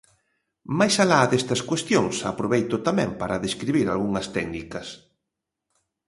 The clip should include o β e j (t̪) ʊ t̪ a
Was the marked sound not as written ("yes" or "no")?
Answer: no